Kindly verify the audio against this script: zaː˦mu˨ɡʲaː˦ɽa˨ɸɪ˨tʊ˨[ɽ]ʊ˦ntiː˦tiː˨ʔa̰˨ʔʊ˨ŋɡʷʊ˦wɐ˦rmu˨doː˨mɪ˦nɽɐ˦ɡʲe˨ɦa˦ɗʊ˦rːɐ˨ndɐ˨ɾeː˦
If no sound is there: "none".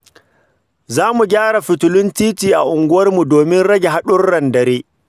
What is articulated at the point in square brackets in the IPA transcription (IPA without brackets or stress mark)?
l